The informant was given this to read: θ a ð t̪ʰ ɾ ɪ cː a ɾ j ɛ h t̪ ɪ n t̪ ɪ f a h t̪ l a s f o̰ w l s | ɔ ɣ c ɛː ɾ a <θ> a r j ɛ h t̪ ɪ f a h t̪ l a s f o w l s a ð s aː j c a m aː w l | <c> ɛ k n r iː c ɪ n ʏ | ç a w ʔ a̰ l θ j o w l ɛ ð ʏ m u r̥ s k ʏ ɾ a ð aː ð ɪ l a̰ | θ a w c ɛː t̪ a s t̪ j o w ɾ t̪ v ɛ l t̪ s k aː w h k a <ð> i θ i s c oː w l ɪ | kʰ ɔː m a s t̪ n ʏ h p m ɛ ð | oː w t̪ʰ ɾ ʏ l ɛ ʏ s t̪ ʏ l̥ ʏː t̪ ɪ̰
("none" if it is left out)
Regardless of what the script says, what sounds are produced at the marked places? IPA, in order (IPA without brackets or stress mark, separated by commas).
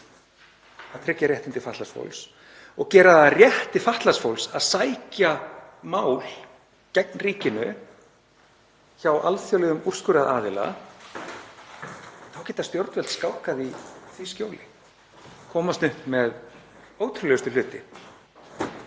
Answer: ð, c, ð